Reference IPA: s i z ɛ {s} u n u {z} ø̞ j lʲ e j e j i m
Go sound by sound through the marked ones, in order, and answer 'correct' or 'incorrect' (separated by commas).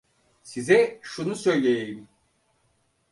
incorrect, incorrect